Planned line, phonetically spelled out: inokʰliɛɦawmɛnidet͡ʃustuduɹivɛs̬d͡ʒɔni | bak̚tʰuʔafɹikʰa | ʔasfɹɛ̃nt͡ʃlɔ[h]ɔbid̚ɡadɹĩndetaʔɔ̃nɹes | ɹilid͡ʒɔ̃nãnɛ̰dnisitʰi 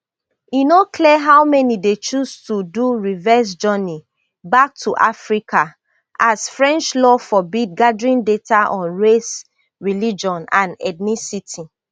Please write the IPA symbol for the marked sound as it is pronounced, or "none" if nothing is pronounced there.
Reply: f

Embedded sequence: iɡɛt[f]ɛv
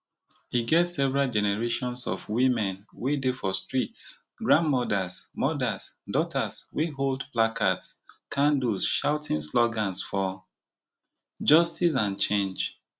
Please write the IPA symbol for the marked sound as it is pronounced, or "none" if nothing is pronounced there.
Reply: s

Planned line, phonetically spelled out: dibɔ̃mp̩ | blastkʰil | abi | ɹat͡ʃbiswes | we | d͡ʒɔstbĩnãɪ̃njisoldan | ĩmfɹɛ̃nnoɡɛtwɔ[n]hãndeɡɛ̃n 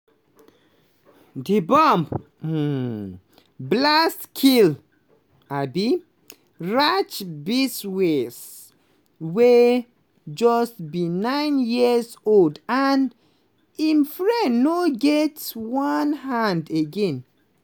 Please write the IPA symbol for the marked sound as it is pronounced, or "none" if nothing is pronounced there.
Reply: n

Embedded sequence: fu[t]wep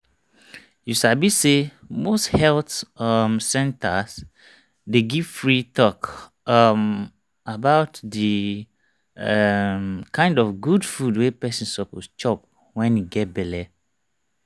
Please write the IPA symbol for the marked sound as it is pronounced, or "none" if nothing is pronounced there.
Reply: d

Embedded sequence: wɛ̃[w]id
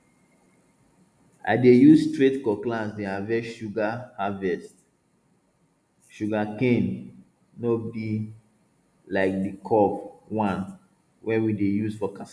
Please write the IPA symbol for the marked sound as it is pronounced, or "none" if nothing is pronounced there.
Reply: w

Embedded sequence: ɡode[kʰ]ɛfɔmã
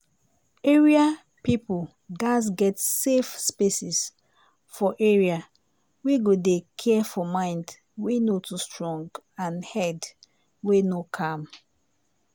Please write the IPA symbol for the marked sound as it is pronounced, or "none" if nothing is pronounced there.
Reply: kʰ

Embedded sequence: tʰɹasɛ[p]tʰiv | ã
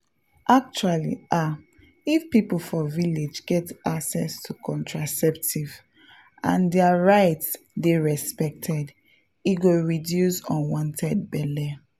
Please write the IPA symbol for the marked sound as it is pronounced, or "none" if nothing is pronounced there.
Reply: p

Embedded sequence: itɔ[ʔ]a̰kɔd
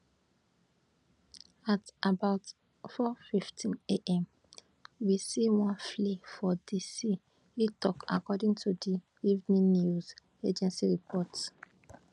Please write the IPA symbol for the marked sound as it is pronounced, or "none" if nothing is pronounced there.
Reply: k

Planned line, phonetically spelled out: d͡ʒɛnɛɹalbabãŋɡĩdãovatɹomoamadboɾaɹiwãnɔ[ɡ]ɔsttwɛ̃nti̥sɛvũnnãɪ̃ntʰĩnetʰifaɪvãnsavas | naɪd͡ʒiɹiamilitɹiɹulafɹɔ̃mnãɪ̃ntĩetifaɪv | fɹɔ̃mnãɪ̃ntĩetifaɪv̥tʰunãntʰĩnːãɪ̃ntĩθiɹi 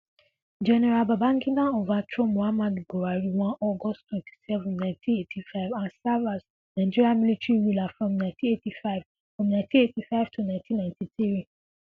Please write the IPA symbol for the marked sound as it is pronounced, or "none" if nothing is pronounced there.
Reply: ɡ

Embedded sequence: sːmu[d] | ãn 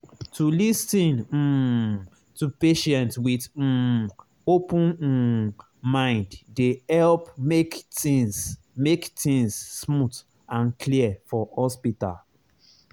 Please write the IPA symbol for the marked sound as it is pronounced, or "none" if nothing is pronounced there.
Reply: t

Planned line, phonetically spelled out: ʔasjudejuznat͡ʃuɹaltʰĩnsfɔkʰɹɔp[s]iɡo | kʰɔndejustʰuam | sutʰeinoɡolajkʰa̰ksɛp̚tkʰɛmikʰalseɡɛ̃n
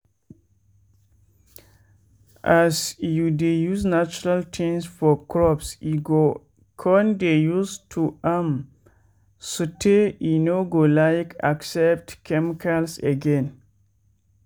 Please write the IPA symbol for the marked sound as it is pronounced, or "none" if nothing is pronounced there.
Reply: s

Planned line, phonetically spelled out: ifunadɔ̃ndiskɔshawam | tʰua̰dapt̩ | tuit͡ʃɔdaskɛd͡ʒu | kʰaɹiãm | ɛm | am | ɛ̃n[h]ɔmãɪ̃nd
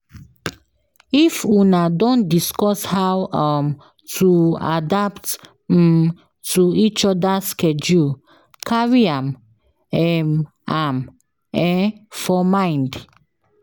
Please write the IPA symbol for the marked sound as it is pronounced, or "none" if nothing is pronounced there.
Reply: f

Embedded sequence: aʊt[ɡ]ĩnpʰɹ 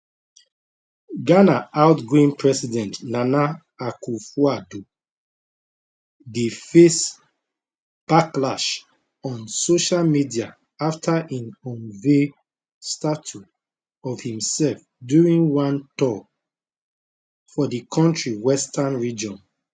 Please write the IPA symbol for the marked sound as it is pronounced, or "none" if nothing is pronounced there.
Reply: ɡ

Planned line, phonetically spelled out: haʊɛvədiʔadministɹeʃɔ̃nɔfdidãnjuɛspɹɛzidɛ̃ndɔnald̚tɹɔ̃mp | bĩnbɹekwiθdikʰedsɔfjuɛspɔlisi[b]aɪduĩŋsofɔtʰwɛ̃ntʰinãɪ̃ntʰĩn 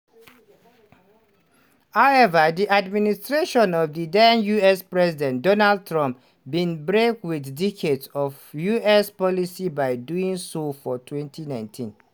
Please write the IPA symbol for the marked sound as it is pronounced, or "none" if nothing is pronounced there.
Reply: b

